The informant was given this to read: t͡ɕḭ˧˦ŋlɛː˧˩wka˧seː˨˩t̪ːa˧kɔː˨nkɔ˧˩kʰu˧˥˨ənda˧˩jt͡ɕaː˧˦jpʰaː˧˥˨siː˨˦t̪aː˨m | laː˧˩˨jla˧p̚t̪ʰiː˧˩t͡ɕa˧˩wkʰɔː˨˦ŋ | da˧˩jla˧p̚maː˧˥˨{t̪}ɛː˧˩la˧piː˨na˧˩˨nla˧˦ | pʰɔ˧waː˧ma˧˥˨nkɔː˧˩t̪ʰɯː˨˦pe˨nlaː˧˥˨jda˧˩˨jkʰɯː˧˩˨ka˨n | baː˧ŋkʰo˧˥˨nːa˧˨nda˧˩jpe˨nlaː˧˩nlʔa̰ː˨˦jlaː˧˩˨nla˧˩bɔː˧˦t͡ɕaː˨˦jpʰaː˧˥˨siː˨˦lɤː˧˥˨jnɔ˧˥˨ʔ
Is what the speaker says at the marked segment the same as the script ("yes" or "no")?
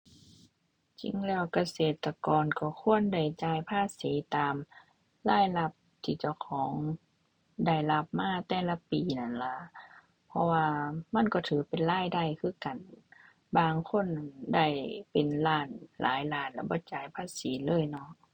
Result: yes